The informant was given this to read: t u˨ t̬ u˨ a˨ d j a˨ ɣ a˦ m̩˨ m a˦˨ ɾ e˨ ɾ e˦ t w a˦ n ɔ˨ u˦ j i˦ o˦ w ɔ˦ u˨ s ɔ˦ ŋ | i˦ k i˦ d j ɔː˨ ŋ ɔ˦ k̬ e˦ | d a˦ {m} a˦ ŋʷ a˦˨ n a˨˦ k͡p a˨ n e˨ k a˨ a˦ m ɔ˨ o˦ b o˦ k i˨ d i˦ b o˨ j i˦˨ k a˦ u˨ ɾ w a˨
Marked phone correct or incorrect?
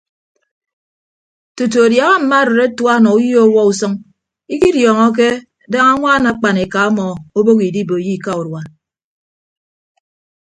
incorrect